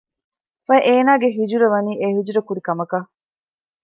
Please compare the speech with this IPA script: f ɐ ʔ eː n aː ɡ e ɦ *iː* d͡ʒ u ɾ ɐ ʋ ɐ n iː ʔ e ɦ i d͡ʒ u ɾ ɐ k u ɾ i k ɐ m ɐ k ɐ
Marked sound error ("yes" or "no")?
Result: yes